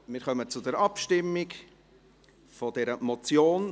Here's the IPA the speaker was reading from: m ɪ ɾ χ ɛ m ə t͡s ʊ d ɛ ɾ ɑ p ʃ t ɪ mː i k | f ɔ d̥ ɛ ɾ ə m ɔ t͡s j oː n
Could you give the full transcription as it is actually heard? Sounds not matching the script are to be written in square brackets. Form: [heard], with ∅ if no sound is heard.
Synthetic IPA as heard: m ɪ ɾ χ [œ] m ə t͡s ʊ d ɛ ɾ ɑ p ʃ t ɪ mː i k | f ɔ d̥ ɛ ɾ ə m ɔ t͡s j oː n

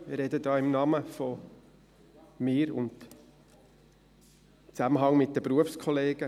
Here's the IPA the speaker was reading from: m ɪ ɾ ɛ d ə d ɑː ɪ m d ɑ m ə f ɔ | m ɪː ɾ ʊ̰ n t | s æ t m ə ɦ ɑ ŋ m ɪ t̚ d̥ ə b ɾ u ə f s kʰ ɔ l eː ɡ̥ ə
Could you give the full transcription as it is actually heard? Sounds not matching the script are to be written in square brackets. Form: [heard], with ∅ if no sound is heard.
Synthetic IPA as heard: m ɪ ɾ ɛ d ə d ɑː ɪ m [n] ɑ m ə f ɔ | m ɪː ɾ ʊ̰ n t | [t͡s] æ [∅] m ə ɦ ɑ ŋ m ɪ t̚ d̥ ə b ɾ u ə f s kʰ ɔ l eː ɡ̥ ə

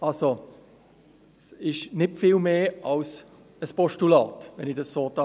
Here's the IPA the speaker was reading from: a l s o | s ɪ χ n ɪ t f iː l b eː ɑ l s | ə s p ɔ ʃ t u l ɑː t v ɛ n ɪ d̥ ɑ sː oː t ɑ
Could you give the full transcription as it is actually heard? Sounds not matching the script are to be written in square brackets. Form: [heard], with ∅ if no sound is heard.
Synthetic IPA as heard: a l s o | s ɪ [ʃ] n ɪ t f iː l [m] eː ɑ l s | ə s p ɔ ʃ t u l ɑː t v ɛ n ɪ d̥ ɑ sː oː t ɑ

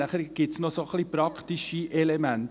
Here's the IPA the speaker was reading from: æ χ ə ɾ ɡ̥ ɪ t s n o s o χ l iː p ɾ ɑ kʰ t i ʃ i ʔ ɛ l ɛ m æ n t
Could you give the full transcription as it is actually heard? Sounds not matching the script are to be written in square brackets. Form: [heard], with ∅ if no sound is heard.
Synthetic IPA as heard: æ χ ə ɾ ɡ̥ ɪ t s n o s o χ l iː p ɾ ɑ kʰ t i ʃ i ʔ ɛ l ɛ m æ n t

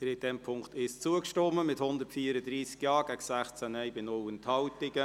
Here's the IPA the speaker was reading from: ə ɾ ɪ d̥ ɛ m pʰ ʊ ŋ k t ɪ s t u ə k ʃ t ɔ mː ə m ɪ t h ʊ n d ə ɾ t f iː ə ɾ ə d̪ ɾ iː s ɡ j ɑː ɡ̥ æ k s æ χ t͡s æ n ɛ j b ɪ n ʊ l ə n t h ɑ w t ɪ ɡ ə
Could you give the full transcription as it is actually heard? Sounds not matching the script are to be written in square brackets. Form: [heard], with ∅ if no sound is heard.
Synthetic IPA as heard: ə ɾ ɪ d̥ ɛ m pʰ ʊ ŋ k t ɪ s [t͡s] u ə k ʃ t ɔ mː ə m ɪ t h ʊ n d ə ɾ t f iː ə ɾ ə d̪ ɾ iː s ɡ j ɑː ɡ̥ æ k s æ χ t͡s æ n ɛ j b ɪ n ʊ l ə n t h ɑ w t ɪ ɡ ə

